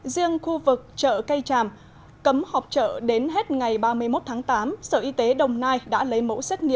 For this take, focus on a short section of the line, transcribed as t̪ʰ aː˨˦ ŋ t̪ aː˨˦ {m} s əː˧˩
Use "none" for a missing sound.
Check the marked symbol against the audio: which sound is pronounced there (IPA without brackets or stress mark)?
m